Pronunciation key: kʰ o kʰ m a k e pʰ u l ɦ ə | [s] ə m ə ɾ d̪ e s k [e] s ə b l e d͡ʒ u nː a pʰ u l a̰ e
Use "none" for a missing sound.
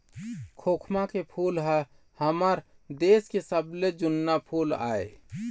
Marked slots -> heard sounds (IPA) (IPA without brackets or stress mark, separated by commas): h, e